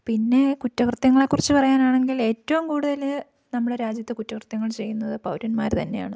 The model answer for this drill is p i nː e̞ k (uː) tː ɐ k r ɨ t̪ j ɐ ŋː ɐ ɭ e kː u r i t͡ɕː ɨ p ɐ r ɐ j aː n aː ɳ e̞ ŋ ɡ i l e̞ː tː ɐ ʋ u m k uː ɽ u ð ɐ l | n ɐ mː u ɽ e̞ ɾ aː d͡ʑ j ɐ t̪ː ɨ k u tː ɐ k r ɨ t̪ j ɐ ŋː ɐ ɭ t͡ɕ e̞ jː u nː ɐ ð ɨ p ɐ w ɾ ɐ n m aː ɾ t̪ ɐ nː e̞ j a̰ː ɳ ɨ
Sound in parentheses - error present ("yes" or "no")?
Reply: yes